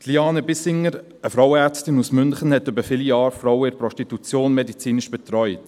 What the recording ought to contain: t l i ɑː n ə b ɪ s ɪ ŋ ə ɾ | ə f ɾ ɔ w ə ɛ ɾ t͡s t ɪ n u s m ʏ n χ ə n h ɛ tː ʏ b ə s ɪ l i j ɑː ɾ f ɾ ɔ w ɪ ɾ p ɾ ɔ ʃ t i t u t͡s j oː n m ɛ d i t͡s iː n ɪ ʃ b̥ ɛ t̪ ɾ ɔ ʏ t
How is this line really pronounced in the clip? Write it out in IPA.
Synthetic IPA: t l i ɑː n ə b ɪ s ɪ ŋ ə ɾ | ə f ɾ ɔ w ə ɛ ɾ t͡s t ɪ n u s m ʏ n χ ə n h ɛ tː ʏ b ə f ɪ l i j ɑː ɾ f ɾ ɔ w ɪ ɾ p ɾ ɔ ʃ t i t u t͡s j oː n m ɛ d i t͡s iː n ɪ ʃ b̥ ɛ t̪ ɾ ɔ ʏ t